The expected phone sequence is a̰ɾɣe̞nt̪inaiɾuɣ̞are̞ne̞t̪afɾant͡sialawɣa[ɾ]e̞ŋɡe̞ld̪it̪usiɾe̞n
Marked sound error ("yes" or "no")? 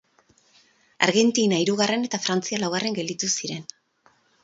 yes